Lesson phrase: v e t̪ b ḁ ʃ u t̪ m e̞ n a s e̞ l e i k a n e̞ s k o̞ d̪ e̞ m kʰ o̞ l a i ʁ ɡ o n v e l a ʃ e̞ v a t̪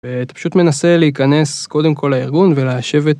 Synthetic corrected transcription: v e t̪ p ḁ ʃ u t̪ m e̞ n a s e̞ l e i k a n e̞ s k o̞ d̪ e̞ m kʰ o̞ l a i ʁ ɡ u n v e l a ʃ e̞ v e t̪